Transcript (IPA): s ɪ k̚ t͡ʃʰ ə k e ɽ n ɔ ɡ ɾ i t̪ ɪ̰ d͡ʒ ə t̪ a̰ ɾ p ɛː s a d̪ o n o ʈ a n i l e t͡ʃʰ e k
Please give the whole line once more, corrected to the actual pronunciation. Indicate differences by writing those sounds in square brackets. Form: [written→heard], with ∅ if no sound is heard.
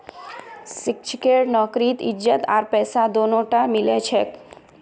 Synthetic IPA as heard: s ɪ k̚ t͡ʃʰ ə k e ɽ n ɔ [ɡ→k] ɾ i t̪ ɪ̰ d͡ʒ ə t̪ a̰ ɾ p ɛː s a d̪ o n o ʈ a [n→m] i l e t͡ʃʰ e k